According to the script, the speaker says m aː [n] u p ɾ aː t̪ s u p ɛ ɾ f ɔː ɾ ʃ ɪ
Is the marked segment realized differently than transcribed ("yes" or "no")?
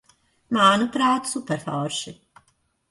no